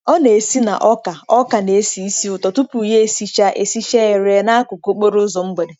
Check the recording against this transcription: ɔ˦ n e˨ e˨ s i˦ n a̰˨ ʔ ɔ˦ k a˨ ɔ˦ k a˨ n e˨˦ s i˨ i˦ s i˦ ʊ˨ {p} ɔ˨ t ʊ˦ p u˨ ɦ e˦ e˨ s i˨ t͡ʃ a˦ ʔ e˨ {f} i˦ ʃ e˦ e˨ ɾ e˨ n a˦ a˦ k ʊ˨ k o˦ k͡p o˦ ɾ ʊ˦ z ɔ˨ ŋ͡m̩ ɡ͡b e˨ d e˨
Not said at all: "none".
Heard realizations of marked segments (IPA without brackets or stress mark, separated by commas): t, s